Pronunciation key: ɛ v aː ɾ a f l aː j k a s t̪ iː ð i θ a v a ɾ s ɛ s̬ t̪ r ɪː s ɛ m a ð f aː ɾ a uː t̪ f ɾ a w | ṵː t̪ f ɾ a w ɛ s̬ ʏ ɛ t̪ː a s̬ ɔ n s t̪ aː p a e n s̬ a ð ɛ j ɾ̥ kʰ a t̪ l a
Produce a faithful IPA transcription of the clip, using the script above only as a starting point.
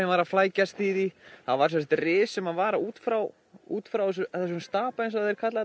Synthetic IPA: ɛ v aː ɾ a f l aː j c a s t̪ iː ð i θ a v a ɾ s ɛ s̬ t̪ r ɪː s ɛ m a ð v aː ɾ a uː t̪ f ɾ a w | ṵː t̪ f ɾ a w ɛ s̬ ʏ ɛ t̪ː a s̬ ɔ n s t̪ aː p a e n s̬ a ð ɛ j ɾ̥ kʰ a t̪ l a